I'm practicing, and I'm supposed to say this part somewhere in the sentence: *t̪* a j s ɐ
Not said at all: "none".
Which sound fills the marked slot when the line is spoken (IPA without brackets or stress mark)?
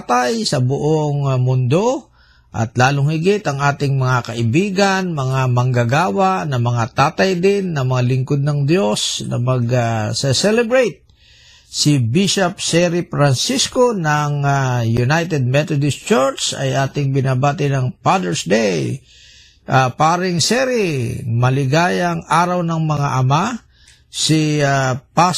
t̪